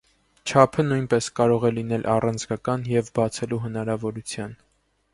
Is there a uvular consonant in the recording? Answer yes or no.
yes